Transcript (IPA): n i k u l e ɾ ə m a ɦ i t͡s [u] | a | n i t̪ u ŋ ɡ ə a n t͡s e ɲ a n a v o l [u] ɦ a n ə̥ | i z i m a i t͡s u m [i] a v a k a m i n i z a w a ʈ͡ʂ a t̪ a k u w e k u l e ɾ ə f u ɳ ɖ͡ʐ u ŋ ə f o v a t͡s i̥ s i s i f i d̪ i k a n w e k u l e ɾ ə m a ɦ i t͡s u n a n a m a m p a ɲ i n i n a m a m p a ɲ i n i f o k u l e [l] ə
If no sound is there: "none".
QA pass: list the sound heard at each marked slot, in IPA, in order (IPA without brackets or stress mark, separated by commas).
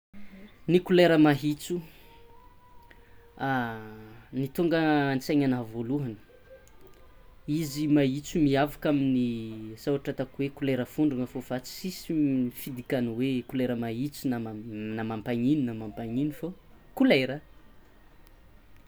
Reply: u, u, i, ɾ